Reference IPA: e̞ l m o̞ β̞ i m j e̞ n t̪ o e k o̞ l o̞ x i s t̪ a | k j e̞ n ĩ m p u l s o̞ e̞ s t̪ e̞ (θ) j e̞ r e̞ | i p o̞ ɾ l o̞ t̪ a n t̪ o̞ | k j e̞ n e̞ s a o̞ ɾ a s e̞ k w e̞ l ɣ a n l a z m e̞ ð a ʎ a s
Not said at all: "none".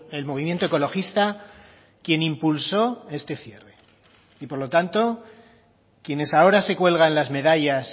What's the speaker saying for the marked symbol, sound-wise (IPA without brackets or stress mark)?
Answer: θ